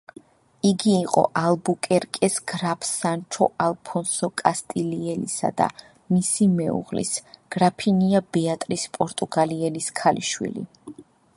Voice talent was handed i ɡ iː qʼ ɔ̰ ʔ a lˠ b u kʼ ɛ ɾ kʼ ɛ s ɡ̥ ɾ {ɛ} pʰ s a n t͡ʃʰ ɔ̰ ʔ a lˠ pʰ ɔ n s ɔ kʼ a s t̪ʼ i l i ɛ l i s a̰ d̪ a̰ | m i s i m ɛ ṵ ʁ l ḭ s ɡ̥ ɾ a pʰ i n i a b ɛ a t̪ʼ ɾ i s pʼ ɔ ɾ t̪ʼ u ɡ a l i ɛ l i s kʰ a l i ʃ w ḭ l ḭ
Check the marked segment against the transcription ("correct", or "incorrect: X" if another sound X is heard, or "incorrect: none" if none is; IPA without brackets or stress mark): incorrect: a